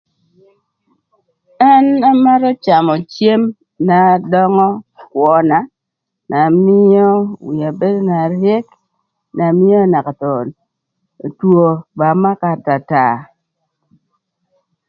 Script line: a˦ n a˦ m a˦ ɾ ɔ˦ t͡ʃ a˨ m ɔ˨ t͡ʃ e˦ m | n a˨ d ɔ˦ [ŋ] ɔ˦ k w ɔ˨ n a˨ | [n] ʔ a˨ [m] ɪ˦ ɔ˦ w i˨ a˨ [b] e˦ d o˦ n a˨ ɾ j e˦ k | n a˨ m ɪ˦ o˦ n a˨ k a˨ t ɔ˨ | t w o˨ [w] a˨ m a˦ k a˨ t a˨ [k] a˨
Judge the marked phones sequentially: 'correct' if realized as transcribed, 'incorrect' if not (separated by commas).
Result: correct, correct, correct, correct, incorrect, incorrect